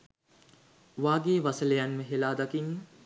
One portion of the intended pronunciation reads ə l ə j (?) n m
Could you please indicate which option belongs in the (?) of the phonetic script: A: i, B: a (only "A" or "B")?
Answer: B